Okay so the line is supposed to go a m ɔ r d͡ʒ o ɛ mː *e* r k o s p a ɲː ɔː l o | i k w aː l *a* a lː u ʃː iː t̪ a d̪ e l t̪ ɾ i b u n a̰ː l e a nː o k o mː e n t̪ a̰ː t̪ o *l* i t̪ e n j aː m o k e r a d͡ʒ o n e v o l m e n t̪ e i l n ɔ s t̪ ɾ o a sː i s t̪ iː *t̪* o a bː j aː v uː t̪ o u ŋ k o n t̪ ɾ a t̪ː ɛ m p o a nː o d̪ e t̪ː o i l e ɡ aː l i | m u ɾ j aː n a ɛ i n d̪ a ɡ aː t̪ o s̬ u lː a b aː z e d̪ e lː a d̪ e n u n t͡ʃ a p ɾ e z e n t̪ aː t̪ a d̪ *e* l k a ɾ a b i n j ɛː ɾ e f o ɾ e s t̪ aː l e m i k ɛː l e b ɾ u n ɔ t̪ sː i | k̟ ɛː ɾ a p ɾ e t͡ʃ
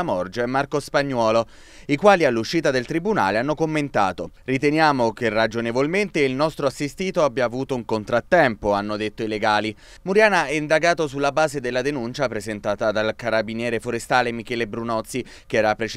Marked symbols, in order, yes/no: no, no, no, yes, no

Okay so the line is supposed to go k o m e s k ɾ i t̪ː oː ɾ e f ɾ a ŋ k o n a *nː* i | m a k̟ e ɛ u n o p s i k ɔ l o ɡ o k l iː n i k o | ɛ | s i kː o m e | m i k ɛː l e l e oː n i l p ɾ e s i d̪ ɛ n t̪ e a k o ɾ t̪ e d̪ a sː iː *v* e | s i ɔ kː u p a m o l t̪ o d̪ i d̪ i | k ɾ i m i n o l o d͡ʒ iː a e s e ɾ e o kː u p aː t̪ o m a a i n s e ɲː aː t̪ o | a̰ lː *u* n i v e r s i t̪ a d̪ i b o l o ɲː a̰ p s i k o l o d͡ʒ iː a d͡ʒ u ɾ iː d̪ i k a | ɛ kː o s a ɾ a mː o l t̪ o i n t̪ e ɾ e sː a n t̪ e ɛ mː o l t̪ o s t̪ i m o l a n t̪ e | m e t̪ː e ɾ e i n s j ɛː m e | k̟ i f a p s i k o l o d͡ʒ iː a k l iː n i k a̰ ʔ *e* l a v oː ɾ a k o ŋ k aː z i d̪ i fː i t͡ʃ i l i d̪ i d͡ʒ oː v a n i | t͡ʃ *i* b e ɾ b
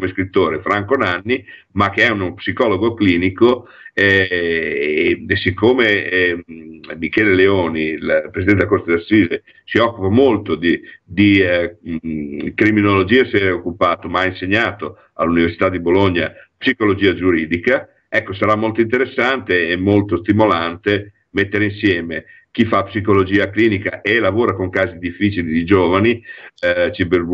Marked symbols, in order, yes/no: yes, no, yes, yes, yes

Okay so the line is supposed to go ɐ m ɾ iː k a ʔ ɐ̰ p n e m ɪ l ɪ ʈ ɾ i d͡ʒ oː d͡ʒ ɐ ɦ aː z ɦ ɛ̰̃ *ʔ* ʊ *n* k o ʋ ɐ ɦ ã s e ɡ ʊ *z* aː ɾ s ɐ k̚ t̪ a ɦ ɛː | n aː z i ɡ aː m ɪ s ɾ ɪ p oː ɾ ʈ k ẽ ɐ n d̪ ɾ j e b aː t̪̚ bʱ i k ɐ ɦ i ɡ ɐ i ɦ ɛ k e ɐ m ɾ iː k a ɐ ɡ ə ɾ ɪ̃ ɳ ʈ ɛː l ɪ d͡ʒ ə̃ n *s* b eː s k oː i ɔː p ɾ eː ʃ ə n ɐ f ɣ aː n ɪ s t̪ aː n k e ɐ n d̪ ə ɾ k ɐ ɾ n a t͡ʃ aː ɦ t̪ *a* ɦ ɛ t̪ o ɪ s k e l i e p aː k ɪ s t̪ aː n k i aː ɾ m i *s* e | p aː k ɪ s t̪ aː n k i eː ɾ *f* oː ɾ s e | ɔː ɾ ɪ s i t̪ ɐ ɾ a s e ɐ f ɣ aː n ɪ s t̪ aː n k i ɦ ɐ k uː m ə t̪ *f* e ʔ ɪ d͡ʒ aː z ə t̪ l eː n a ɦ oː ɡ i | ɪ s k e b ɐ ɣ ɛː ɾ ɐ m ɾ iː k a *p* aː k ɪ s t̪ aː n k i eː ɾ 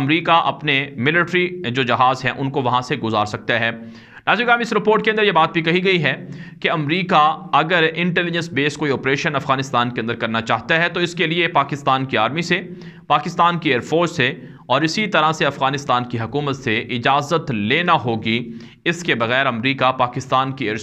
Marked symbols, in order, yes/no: yes, yes, yes, yes, yes, yes, yes, no, yes

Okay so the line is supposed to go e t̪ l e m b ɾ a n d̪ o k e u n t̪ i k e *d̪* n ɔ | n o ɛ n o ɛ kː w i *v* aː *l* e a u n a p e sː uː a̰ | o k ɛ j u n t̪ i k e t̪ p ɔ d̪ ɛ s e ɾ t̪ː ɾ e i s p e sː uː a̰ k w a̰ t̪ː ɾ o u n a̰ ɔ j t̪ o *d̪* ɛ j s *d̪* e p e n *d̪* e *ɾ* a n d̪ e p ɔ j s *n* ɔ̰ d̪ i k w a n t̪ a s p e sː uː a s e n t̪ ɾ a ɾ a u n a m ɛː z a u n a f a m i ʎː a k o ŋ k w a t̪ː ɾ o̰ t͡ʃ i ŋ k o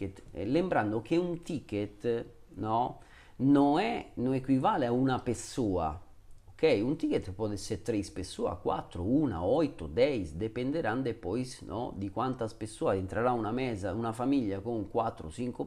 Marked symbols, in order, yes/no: no, yes, yes, yes, yes, yes, yes, yes

